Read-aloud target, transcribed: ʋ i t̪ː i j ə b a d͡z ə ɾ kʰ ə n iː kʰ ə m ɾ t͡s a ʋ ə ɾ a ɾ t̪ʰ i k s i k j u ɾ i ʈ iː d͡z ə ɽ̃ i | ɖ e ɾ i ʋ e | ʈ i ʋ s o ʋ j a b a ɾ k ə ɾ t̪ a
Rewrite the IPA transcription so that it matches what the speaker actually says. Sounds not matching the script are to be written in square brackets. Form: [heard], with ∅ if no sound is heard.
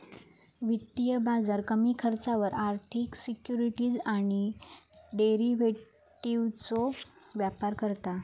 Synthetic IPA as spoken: ʋ i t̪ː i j ə b a d͡z [a] ɾ [k] ə [m] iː kʰ ə [∅] ɾ t͡s a ʋ ə ɾ a ɾ t̪ʰ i k s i k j u ɾ i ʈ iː d͡z [a] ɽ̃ i | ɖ e ɾ i ʋ e | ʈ i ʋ [t͡s] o ʋ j a [p] a ɾ k ə ɾ t̪ a

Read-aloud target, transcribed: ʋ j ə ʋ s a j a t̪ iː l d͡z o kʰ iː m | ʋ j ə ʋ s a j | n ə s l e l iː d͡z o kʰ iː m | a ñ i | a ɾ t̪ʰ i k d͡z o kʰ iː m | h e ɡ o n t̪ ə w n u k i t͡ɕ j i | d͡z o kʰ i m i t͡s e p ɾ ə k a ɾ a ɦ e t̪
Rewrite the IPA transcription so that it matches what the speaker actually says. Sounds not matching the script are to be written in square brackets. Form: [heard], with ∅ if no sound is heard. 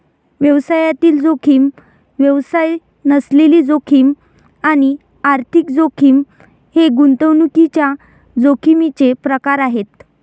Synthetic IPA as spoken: ʋ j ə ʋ s a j a t̪ iː l d͡z o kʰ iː m | ʋ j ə ʋ s a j | n ə s l e l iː d͡z o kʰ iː m | a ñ i | a ɾ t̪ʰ i k d͡z o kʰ iː m | h e ɡ [u] n t̪ ə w n u k i t͡ɕ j [a] | d͡z o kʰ i m i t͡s e p ɾ ə k a ɾ a ɦ e t̪

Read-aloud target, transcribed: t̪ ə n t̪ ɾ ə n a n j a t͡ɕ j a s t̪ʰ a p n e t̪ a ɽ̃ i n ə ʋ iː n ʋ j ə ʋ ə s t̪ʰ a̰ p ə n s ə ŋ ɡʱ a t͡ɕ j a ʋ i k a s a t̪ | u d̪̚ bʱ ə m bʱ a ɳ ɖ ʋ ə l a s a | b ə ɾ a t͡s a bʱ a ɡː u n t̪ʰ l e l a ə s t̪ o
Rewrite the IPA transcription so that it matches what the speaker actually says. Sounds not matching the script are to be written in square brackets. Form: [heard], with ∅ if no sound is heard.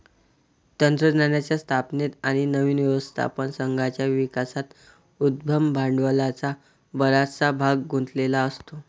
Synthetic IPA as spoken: t̪ ə n t̪ ɾ ə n a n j a t͡ɕ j a s t̪ʰ a p n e t̪ a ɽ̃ i n ə ʋ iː n ʋ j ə ʋ ə s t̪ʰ a̰ p ə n s ə ŋ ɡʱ a t͡ɕ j a ʋ i k a s a t̪ | u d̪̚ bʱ ə m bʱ a ɳ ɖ ʋ ə l a [t͡s] a | b ə ɾ a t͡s a bʱ a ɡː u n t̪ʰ l e l a ə s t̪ o

